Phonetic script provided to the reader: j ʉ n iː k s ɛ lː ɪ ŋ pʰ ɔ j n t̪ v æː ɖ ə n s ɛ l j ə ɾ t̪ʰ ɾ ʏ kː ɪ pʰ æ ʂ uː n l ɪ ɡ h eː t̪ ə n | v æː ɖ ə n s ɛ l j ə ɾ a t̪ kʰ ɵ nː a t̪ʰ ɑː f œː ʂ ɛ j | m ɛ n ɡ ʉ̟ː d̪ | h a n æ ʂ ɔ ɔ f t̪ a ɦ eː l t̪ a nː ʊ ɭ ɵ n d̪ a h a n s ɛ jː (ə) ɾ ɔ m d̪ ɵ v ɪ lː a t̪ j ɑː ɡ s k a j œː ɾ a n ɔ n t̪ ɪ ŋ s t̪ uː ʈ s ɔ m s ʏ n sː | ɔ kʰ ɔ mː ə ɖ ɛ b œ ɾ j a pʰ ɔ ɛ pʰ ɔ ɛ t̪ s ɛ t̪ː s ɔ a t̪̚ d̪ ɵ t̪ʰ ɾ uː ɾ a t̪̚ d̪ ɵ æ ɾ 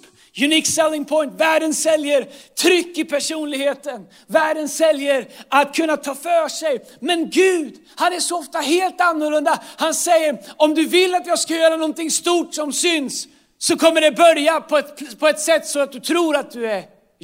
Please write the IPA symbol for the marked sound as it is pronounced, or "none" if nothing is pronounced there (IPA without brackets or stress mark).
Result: ə